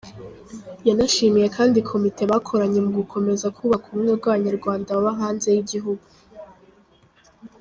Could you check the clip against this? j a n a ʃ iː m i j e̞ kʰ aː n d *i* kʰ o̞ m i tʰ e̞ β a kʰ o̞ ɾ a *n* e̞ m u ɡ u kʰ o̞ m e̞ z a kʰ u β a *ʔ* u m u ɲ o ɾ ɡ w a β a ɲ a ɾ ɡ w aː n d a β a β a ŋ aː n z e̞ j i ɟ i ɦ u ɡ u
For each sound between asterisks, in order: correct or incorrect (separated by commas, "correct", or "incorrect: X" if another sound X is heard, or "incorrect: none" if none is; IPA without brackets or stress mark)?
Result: correct, incorrect: ɲ, incorrect: k